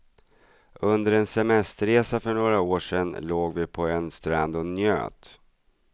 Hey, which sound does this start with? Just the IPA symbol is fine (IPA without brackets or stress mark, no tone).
ɵ